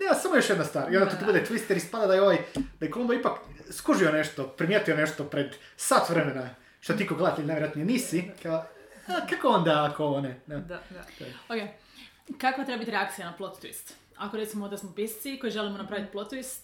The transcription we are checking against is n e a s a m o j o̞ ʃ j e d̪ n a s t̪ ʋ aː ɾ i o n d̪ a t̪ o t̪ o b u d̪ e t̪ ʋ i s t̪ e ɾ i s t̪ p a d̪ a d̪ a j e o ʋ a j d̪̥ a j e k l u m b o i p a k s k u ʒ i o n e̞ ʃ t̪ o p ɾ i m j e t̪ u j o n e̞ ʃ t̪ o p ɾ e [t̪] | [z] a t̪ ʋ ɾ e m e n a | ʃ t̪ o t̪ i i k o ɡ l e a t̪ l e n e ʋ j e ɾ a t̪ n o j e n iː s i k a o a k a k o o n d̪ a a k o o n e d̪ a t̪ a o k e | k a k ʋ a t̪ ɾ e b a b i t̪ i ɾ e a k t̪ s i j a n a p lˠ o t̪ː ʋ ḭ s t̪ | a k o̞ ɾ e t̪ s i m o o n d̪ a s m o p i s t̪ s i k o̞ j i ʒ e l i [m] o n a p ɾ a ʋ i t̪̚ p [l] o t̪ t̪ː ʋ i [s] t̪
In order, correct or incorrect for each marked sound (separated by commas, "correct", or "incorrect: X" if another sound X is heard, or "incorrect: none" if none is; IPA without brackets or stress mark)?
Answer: incorrect: d̪, incorrect: s, correct, correct, correct